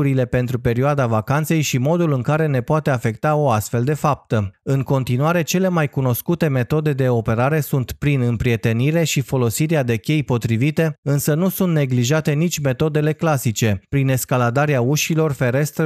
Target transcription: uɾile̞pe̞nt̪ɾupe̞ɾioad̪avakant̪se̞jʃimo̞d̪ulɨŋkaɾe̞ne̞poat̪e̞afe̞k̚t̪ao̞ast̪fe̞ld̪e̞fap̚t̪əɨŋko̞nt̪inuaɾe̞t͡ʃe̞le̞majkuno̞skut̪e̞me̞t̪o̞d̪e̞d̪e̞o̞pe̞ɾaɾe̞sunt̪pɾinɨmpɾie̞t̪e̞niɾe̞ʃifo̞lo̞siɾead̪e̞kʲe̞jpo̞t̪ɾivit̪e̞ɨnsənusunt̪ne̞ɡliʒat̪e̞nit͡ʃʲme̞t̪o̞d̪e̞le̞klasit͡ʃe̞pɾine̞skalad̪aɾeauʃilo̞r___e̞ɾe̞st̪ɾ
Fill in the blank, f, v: f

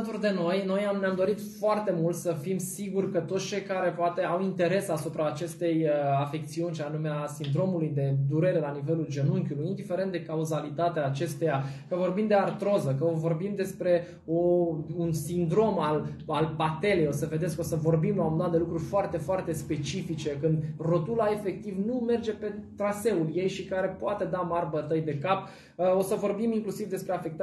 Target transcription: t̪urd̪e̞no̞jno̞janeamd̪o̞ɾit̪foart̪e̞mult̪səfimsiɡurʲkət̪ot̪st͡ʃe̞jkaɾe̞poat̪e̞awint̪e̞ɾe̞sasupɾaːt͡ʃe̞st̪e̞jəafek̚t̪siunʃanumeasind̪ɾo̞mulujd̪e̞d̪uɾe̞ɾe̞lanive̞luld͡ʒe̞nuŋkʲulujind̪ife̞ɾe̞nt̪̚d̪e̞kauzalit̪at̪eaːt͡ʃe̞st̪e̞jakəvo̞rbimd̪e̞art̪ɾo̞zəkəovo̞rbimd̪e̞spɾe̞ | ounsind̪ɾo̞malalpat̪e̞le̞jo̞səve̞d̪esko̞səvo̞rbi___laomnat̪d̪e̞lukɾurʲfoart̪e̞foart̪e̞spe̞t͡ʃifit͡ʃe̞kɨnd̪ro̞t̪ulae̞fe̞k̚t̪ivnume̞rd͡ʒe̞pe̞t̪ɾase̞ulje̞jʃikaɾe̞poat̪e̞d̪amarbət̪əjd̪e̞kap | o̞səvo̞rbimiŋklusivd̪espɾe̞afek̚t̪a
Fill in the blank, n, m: m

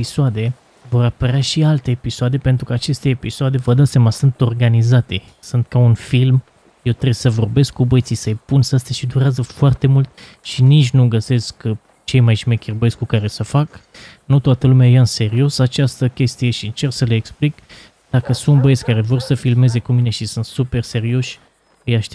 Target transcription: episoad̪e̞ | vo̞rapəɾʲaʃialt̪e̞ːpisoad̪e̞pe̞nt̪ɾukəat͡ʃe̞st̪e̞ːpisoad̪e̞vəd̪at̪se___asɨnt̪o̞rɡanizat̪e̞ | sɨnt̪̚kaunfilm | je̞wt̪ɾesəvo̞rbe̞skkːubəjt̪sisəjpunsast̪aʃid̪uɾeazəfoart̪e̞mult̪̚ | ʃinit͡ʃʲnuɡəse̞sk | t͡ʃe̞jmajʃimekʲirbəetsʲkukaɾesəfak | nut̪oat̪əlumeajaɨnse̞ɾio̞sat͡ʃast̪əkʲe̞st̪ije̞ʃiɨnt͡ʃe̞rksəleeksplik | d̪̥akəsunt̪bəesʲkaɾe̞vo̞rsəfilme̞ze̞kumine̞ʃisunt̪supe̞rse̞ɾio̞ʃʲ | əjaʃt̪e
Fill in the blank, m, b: m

